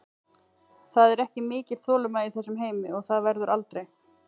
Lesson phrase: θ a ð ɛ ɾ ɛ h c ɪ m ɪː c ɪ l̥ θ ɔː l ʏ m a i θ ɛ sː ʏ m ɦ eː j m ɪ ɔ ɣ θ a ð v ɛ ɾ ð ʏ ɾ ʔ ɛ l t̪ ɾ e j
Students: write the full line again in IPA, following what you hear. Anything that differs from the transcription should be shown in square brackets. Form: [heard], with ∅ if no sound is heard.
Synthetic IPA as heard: θ a ð ɛ ɾ ɛ h c ɪ m ɪː c ɪ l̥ θ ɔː l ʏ m a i θ ɛ sː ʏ m ɦ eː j m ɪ ɔ ɣ θ a ð v ɛ ɾ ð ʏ ɾ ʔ [a] l t̪ ɾ e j